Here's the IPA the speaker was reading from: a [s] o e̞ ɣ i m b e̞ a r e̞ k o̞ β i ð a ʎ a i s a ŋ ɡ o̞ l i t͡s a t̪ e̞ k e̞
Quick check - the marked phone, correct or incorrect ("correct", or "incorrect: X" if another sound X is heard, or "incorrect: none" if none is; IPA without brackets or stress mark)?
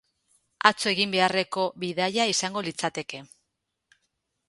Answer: incorrect: t͡s